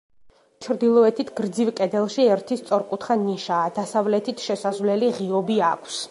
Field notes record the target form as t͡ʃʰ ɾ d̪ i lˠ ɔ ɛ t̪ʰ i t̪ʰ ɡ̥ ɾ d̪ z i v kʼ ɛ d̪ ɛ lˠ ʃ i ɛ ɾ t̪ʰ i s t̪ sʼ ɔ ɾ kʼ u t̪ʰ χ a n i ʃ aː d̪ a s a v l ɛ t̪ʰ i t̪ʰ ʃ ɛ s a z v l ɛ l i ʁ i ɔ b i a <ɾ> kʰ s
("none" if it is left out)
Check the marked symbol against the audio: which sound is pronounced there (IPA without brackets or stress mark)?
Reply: none